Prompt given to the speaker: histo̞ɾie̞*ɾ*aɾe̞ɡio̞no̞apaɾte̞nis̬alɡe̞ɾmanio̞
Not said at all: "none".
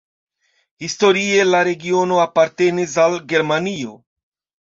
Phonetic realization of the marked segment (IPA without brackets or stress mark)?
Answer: l